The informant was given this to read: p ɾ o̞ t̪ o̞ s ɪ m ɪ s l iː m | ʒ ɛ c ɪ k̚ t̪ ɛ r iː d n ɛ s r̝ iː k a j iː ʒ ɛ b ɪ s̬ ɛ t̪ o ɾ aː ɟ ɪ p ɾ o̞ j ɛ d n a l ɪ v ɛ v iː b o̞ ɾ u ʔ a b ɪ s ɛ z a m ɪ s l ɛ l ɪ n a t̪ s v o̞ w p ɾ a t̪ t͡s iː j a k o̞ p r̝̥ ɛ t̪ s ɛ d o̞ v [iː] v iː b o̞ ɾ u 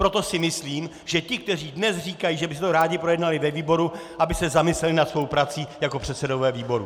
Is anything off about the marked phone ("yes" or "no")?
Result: yes